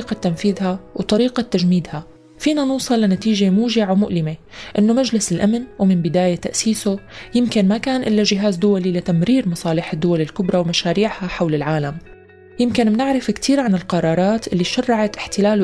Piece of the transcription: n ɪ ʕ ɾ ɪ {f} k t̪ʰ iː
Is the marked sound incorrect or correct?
correct